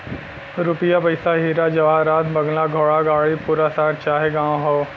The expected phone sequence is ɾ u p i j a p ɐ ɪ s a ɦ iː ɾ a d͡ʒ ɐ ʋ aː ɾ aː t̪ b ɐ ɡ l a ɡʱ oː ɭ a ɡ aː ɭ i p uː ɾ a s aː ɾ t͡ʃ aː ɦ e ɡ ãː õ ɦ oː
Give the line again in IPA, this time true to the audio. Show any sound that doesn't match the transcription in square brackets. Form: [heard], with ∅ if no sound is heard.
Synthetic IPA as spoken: ɾ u p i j a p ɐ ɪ s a ɦ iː ɾ a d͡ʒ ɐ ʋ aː ɾ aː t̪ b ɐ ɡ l a ɡʱ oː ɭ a ɡ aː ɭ i p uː ɾ a s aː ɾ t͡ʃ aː ɦ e ɡ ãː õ ɦ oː